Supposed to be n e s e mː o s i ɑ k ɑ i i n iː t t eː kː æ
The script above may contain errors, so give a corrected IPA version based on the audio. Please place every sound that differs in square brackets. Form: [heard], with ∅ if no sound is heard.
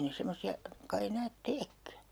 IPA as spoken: n e s e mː o s i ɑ k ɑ i [e] n [æː] t t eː kː æ